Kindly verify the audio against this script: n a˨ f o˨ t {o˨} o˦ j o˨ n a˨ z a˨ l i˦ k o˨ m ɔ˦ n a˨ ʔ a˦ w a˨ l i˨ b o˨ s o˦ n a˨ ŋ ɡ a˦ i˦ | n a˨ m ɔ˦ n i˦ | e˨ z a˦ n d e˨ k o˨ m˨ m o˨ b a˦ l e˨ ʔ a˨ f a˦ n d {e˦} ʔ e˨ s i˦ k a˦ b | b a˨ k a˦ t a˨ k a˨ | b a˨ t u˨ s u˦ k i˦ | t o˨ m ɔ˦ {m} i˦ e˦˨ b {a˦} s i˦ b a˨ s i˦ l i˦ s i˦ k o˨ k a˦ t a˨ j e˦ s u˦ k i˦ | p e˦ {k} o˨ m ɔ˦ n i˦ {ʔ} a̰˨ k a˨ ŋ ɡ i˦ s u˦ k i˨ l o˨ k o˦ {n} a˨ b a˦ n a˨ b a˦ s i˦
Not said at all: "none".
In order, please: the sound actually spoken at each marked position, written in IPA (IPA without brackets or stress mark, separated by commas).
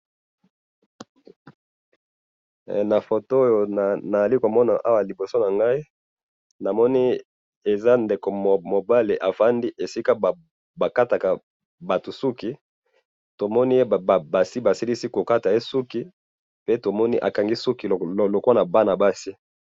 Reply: o˦, i˦, n, a˨, t, ʔ, n